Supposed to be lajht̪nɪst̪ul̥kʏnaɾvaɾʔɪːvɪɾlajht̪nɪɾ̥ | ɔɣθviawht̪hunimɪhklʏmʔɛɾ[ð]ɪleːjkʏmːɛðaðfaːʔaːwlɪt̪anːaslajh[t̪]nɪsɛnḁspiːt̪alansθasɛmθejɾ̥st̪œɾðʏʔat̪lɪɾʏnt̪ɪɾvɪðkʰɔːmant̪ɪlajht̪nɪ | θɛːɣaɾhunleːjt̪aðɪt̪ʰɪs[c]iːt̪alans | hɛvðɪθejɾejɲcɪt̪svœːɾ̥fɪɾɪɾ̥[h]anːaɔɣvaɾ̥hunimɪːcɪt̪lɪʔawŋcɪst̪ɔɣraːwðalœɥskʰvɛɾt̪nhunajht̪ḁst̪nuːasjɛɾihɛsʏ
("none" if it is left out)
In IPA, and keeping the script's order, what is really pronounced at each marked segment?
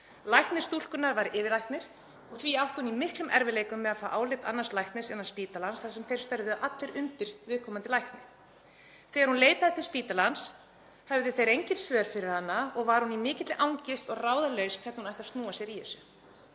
v, t̪, p, h

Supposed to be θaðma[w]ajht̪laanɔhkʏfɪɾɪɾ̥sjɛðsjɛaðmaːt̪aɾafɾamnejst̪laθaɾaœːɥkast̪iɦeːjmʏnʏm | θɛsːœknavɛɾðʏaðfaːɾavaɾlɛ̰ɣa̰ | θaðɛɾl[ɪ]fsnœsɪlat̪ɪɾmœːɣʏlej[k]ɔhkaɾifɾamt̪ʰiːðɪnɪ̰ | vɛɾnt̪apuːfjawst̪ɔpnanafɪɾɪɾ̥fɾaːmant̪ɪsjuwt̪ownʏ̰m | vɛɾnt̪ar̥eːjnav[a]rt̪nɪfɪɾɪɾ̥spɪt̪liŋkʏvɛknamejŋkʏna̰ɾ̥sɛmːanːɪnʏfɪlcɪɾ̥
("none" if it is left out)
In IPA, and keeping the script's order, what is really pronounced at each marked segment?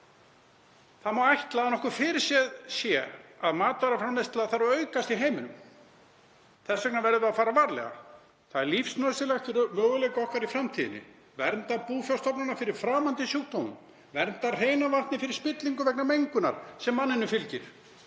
w, i, k, a

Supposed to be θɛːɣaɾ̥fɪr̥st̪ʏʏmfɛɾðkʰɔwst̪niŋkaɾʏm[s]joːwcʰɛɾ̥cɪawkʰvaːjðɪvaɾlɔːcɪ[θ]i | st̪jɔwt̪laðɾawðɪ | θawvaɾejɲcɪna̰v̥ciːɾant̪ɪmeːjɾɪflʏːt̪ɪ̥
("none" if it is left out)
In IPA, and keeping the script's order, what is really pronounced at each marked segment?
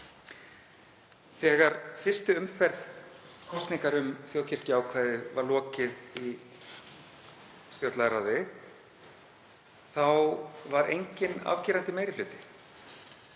θ, ð

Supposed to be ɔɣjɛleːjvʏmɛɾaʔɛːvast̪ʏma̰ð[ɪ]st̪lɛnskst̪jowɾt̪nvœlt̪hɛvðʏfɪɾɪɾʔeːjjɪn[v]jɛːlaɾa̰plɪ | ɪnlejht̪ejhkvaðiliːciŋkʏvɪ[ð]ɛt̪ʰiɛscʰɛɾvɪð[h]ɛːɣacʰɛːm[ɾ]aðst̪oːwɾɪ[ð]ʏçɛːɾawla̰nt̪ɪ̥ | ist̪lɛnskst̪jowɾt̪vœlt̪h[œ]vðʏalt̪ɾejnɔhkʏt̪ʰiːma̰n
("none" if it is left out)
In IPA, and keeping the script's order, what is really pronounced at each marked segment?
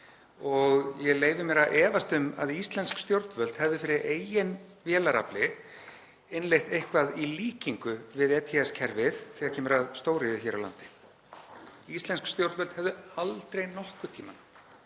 i, v, ð, θ, ɾ, ð, ɛ

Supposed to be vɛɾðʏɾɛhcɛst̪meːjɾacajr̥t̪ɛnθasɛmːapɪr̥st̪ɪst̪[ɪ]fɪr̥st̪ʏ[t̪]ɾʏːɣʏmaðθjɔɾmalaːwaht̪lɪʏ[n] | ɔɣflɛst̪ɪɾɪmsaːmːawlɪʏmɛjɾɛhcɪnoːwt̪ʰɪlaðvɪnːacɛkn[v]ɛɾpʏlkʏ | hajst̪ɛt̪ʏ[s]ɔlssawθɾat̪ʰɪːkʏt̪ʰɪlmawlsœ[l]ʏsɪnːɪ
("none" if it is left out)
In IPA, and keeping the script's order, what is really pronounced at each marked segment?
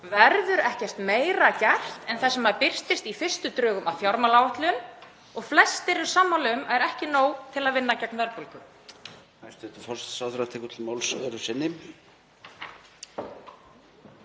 i, t̪, n, v, f, ɾ

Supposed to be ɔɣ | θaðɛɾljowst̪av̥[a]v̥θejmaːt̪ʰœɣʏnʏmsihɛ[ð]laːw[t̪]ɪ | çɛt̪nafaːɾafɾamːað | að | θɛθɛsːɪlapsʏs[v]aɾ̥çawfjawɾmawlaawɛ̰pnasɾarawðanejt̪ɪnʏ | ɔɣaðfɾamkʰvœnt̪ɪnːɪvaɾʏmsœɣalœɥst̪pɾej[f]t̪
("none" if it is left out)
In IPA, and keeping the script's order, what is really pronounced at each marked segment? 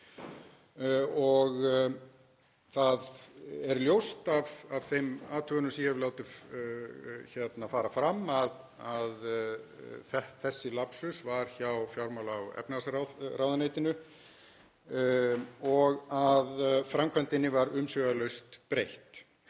a, v, t̪, v, h

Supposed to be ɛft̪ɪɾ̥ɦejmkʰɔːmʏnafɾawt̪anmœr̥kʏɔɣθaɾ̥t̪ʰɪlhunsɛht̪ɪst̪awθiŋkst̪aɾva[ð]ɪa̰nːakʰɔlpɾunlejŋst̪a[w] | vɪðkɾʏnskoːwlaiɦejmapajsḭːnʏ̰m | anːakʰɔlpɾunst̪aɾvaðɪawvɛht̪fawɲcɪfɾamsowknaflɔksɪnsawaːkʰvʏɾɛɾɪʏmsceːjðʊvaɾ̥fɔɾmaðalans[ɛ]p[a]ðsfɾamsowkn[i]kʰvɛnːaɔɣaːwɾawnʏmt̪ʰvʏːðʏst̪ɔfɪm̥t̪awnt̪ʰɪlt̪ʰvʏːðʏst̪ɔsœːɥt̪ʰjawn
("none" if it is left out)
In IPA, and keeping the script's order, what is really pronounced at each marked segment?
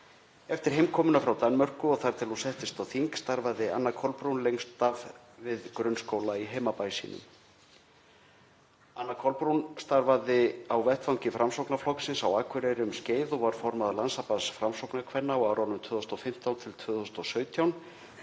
ð, v, a, a, a

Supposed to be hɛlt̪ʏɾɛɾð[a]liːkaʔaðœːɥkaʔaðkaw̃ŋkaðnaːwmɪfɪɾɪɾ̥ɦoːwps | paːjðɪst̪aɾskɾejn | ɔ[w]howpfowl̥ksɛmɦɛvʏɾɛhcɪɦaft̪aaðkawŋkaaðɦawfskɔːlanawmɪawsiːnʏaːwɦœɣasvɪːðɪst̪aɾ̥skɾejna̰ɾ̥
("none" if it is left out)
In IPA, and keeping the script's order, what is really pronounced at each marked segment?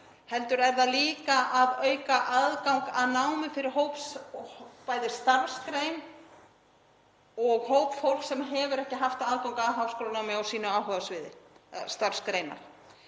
a, ɣ

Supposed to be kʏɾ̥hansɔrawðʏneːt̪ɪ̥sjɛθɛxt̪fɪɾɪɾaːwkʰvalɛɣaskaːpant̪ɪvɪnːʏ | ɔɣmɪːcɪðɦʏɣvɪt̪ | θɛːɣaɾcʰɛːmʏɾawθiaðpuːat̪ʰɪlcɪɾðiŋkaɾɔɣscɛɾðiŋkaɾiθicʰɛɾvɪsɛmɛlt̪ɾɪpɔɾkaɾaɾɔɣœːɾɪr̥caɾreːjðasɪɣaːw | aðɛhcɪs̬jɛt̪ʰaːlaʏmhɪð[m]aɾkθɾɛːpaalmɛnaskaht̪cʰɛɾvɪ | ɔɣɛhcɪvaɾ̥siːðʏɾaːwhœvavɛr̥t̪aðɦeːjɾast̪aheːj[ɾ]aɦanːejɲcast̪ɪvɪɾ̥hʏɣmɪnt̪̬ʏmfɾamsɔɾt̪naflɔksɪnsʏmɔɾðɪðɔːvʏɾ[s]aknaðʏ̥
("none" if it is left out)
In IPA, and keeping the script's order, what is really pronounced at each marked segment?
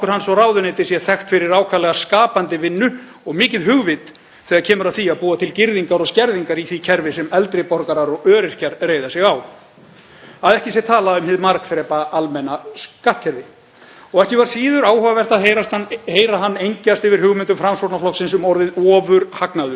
m, ɾ, h

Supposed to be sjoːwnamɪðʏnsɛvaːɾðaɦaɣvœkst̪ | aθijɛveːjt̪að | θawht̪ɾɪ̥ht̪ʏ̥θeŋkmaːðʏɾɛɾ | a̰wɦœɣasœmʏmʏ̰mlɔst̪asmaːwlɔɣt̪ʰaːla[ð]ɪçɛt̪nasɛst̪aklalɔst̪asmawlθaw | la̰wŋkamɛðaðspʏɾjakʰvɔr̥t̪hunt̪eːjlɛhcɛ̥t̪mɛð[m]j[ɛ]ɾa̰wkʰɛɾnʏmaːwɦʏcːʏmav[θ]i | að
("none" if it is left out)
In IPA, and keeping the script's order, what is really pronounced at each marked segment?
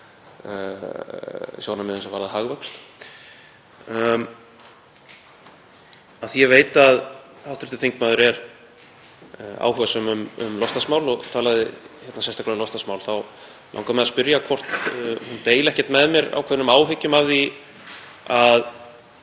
ð, m, ɛ, ð

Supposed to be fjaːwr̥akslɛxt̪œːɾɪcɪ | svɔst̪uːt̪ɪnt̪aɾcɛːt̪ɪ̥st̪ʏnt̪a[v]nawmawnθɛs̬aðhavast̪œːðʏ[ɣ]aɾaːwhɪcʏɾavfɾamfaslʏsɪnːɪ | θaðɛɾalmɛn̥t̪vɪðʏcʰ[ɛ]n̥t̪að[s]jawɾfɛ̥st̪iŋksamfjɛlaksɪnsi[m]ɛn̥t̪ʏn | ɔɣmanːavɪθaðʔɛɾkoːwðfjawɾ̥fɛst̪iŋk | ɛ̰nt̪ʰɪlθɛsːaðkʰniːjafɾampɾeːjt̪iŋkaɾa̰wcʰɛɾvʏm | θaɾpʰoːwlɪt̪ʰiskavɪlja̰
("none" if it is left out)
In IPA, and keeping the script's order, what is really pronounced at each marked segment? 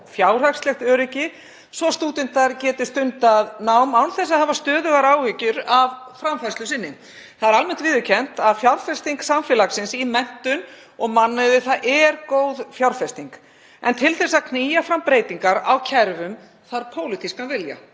ð, ɣ, ɛ, f, m

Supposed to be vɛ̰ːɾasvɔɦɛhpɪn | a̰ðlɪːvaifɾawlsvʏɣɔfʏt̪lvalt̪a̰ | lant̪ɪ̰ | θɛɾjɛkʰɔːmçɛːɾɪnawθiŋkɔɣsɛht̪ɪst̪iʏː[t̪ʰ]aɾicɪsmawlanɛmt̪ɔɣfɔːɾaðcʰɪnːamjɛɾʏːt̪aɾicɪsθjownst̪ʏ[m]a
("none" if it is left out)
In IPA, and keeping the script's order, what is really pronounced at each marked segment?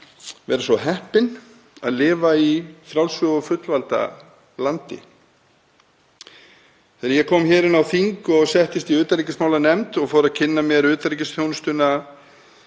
t̪, n

